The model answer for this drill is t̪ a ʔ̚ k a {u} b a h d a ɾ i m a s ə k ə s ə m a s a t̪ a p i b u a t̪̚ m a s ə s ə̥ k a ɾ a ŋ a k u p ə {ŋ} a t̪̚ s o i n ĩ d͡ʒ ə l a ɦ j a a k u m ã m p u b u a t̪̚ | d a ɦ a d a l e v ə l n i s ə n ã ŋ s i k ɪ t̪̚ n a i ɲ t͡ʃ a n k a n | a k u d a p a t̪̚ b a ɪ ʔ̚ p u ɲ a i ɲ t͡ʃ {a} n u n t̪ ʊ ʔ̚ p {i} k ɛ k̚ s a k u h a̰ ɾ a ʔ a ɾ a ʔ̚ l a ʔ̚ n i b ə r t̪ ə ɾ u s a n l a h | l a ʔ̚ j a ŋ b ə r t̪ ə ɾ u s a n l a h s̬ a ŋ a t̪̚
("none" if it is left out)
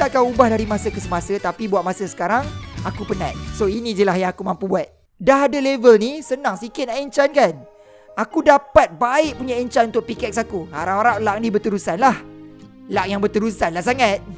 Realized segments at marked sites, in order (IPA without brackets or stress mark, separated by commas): u, n, a, i